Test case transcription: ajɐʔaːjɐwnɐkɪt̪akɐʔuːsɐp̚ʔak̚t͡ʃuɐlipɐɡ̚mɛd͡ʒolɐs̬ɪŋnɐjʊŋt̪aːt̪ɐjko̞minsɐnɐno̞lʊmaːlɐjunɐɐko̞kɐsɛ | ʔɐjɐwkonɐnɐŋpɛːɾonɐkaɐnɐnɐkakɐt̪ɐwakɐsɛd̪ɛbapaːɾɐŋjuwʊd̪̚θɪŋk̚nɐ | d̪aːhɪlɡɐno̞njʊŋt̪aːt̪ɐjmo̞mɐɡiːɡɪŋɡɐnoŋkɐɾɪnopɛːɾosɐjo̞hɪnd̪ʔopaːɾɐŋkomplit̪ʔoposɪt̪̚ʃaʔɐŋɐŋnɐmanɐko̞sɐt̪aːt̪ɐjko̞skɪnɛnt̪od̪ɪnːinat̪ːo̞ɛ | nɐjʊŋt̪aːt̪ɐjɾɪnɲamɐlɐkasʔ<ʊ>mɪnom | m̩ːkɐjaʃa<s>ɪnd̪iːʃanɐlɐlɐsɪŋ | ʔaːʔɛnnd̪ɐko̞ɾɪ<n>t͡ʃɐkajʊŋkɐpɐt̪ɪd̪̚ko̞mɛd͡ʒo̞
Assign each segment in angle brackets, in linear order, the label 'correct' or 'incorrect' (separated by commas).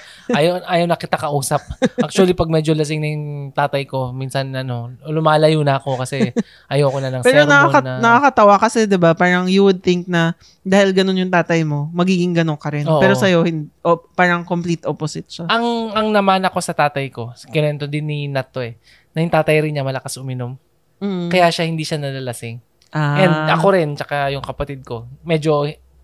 correct, incorrect, correct